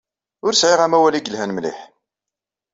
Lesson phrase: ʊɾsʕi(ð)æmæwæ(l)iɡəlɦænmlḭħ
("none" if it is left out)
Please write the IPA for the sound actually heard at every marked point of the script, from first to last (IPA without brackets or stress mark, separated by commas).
ʁ, l